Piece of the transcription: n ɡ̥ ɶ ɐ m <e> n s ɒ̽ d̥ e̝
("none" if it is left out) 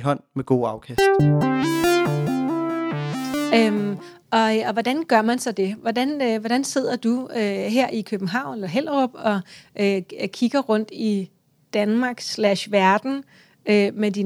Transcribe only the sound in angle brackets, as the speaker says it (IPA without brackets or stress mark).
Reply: æ